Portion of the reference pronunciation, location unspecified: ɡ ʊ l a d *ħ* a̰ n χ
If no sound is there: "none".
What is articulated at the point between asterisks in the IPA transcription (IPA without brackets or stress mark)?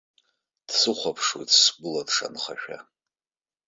ʂ